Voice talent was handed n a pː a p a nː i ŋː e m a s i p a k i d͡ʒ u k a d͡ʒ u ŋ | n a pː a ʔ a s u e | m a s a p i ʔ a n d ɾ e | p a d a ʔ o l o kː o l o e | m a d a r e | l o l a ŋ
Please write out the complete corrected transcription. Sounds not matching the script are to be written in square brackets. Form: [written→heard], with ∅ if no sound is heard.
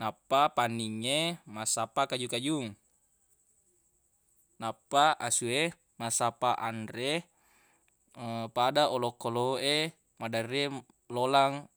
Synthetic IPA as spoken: n a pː a p a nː i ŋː e m a s [i→a] p a k [i→a] d͡ʒ u k a d͡ʒ u ŋ | n a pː a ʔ a s u e | m a s a p [i→a] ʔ a n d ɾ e | p a d a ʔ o l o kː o l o e | m a d a r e | l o l a ŋ